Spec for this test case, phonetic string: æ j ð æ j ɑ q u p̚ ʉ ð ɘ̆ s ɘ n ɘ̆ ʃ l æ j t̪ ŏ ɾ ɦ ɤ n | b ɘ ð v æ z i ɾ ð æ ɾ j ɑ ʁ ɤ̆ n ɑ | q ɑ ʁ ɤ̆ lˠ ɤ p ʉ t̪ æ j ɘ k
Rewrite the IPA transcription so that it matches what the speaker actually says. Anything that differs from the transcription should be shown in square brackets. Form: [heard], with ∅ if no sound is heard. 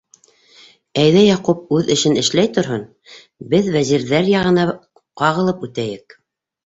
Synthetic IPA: æ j ð æ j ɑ q u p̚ ʉ ð ɘ̆ [ʃ] ɘ n ɘ̆ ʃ l æ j t̪ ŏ ɾ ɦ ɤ n | b ɘ ð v æ z i ɾ ð æ ɾ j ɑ ʁ ɤ̆ n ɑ | q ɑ ʁ ɤ̆ lˠ ɤ p ʉ t̪ æ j ɘ k